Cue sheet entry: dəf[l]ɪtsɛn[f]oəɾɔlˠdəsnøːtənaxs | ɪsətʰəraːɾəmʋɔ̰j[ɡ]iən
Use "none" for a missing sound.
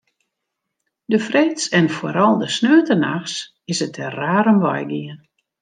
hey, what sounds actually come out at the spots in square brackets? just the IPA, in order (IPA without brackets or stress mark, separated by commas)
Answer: r, f, ɡ